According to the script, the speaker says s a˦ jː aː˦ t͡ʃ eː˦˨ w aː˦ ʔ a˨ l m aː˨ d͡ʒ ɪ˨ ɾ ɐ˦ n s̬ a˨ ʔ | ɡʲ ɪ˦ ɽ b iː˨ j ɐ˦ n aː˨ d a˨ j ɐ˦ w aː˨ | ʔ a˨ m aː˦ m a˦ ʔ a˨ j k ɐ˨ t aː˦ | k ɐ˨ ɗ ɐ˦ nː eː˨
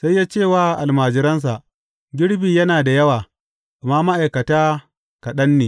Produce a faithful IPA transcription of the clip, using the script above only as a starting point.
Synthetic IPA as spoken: s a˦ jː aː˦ t͡ʃ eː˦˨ w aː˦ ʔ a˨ l m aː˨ d͡ʒ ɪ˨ ɾ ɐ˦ n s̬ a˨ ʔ | ɡʲ ɪ˦ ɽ b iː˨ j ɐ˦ n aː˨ d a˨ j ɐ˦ w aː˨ | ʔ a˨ m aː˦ m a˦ ʔ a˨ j k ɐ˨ t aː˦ | k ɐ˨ ɗ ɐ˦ nː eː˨